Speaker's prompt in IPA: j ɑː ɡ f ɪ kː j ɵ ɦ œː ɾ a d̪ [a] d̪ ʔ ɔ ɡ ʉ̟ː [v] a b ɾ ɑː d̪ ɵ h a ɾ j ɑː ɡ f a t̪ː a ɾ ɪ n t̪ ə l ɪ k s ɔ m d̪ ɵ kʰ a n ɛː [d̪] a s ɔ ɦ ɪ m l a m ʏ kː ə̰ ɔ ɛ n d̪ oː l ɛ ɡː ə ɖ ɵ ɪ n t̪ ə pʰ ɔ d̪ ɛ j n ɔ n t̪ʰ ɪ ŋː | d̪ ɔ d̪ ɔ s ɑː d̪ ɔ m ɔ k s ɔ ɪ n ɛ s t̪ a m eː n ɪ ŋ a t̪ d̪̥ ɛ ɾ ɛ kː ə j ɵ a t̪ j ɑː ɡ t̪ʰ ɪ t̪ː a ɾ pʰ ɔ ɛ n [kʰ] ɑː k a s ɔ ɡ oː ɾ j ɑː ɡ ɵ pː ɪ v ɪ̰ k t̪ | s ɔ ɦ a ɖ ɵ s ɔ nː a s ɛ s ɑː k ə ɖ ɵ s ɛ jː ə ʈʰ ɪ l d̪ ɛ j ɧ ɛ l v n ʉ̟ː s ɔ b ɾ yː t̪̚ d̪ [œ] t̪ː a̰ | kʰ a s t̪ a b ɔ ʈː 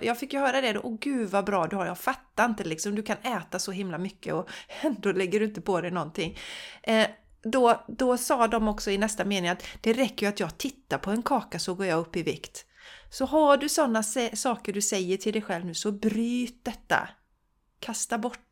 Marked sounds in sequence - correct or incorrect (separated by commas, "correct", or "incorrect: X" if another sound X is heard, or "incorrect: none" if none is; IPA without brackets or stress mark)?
incorrect: ɛ, correct, incorrect: t̪, correct, incorrect: ɛ